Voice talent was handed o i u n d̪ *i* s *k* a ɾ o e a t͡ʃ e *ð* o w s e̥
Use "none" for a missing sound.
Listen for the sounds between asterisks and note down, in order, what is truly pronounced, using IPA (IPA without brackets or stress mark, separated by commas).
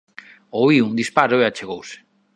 i, p, ɣ